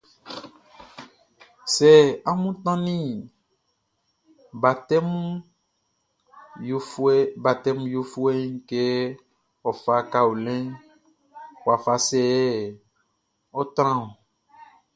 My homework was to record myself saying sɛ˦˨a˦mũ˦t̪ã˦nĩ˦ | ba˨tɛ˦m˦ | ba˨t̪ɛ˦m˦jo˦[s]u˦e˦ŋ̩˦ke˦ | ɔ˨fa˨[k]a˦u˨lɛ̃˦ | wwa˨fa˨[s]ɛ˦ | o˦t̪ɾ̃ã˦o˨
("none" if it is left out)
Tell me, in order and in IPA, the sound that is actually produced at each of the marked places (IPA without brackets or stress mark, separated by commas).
f, k, s